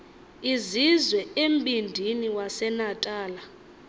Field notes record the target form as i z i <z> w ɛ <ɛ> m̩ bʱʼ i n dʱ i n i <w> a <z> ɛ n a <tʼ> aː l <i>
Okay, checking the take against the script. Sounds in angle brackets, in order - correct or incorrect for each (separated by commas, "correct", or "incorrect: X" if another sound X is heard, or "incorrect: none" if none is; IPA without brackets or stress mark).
correct, incorrect: e, correct, incorrect: s, correct, incorrect: a